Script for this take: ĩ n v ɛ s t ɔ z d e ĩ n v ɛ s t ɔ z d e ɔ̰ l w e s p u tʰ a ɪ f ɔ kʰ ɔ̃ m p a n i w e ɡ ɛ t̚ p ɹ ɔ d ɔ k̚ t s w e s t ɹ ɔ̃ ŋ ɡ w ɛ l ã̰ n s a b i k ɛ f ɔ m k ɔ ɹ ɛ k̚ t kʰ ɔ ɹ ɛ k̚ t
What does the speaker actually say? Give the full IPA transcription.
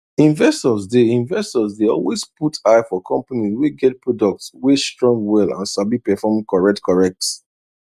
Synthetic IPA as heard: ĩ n v ɛ s t ɔ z d e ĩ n v ɛ s t ɔ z d e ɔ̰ l w e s p u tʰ a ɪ f ɔ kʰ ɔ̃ m p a n i w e ɡ ɛ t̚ p ɹ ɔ d ɔ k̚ t s w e s t ɹ ɔ̃ ŋ ɡ w ɛ l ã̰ n s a b i p ɛ f ɔ m k ɔ ɹ ɛ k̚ t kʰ ɔ ɹ ɛ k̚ t

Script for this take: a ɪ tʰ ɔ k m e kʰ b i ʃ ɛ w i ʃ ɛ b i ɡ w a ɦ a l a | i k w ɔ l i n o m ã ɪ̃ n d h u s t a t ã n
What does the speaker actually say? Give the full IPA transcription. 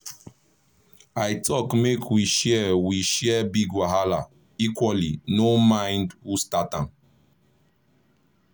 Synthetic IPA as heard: a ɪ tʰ ɔ k m e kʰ w i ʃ ɛ w i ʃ ɛ b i ɡ w a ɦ a l a | i k w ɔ l i n o m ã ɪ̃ n d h u s t a t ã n

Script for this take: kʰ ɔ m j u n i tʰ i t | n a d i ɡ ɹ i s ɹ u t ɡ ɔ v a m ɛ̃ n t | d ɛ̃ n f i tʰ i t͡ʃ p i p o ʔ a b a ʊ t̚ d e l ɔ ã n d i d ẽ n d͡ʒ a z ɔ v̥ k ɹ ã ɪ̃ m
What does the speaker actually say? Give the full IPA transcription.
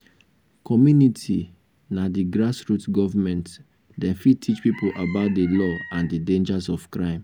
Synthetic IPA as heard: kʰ ɔ m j u n i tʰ i | n a d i ɡ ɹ a s ɹ u t ɡ ɔ v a m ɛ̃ n t | d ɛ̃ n f i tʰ i t͡ʃ p i p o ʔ a b a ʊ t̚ d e l ɔ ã n d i d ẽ n d͡ʒ a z ɔ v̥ k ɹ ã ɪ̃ m

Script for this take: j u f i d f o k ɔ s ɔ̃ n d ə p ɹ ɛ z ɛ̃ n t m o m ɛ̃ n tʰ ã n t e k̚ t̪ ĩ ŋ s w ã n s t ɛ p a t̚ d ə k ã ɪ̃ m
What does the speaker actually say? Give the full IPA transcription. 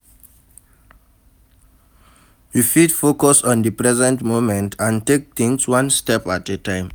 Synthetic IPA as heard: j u f i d f o k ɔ s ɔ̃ n d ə p ɹ ɛ z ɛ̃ n t m o m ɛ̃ n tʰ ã n t e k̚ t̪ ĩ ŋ s w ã n s t ɛ p a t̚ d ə t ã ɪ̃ m

